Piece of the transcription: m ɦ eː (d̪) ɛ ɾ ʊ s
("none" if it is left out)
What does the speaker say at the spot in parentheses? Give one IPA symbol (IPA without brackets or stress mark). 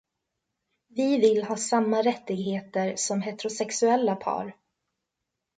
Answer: t̪